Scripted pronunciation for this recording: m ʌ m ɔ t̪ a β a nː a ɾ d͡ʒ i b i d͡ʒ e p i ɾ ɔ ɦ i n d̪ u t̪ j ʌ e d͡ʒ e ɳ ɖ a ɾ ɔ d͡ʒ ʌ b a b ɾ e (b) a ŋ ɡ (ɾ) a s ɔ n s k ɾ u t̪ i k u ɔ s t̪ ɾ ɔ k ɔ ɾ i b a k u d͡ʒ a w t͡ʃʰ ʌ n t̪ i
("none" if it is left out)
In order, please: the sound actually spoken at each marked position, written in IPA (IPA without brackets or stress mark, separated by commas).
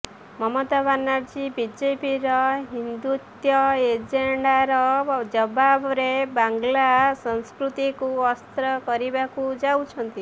b, l